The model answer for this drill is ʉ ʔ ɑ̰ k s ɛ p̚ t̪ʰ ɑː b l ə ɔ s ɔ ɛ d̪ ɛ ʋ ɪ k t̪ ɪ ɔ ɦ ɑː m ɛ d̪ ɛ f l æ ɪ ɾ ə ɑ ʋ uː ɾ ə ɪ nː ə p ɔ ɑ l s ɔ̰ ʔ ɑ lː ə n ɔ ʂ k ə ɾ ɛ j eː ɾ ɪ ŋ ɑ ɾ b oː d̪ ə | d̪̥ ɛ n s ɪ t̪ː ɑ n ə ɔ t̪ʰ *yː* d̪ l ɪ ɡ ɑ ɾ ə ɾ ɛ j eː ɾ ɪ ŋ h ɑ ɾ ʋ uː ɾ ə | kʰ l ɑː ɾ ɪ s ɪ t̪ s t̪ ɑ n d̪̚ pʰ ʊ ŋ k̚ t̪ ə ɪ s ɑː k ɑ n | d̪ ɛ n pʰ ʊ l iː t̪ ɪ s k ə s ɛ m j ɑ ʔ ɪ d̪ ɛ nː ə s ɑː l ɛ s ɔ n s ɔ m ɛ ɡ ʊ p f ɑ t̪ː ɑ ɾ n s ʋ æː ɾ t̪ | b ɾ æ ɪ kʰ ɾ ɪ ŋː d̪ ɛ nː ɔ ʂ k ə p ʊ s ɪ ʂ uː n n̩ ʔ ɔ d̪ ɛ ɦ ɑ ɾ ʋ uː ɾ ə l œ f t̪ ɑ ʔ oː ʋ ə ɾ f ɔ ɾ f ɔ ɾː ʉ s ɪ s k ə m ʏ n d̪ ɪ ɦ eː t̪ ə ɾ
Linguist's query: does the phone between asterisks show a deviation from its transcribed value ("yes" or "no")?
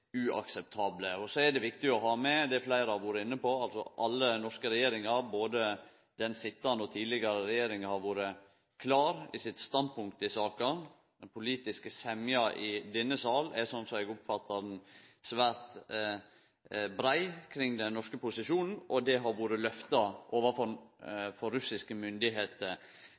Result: yes